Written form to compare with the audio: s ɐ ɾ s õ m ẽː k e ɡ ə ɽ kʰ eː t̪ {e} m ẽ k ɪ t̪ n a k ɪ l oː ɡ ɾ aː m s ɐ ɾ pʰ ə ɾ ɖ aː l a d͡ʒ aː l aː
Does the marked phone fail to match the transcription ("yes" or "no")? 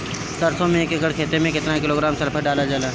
no